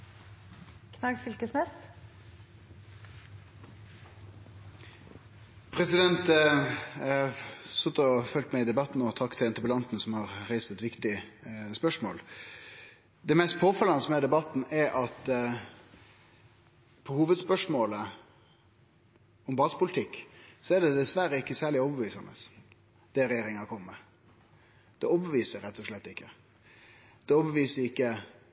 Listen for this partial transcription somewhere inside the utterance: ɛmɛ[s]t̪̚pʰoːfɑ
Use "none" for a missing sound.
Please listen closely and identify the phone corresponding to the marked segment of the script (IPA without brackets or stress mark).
s